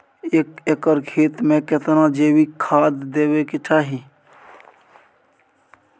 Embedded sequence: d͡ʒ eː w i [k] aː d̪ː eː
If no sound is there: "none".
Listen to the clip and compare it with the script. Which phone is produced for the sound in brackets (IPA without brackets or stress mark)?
kʰ